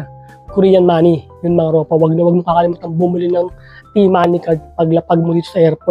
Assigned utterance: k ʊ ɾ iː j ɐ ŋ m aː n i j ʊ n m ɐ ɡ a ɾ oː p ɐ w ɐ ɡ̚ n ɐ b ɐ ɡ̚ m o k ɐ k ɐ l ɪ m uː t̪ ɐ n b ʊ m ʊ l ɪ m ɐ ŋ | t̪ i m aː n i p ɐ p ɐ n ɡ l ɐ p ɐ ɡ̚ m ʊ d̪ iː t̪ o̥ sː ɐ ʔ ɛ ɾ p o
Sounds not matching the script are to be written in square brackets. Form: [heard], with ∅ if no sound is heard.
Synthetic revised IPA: k ʊ ɾ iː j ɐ [n] m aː n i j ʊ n m ɐ [ŋ] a ɾ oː p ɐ w ɐ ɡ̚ n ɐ [w] ɐ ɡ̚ m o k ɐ k ɐ l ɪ m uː t̪ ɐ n b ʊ m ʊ l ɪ [n] ɐ ŋ | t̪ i m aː n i [k] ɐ p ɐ [∅] ɡ l ɐ p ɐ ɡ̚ m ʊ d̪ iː t̪ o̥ [s] ɐ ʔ ɛ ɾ p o